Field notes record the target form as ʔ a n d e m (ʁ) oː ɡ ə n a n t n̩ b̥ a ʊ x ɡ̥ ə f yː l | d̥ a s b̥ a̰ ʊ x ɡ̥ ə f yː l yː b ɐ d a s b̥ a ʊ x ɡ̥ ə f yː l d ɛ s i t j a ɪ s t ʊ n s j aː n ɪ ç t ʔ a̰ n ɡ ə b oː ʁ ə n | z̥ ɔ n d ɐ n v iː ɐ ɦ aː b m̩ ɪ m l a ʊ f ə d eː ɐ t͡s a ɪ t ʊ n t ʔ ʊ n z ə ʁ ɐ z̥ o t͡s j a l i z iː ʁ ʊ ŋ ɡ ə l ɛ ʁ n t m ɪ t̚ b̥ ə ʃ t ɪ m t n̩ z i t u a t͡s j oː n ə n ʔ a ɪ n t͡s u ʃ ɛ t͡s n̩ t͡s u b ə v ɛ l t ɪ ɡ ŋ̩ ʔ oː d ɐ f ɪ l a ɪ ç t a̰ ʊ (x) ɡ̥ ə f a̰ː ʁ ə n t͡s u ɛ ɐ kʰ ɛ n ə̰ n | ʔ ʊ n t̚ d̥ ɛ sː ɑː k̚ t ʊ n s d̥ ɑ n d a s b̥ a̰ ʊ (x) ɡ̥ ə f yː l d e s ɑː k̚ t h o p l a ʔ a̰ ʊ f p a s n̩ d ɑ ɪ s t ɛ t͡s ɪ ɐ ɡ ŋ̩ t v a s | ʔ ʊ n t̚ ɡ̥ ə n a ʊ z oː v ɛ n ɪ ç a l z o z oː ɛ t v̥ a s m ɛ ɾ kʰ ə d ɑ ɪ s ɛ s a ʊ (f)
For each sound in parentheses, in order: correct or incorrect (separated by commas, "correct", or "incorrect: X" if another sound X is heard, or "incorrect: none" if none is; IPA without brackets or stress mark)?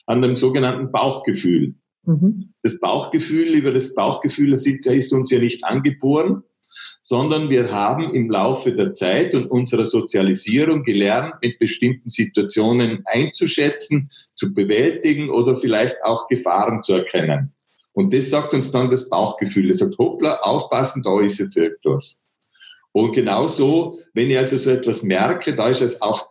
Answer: incorrect: z, correct, correct, incorrect: x